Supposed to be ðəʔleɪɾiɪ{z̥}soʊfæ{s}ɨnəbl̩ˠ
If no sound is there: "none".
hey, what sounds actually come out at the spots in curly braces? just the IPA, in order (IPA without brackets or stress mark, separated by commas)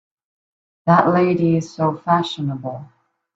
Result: z̥, ʃ